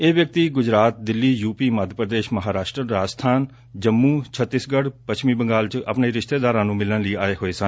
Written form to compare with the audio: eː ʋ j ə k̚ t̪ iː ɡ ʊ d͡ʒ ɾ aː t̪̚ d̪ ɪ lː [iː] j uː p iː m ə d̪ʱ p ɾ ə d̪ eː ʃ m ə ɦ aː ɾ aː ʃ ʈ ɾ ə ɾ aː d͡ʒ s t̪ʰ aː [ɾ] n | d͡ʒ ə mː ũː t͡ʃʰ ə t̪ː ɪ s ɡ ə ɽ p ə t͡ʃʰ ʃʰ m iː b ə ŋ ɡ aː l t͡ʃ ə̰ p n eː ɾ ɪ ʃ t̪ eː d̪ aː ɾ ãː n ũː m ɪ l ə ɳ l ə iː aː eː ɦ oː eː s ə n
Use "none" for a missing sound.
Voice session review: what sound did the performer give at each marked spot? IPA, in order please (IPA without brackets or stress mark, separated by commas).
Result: iː, none